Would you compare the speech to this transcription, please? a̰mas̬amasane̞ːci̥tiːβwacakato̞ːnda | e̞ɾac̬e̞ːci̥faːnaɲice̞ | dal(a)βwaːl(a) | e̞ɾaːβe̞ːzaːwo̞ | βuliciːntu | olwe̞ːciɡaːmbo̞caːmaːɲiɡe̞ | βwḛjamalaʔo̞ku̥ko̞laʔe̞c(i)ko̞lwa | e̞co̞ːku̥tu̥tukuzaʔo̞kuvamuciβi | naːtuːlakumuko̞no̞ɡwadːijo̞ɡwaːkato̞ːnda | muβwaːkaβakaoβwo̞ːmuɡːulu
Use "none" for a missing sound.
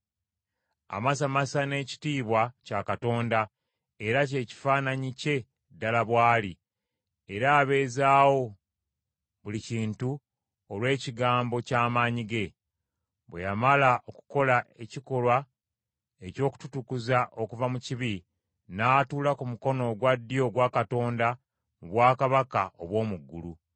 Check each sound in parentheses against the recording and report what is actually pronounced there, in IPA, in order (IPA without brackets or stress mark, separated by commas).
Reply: a, i, i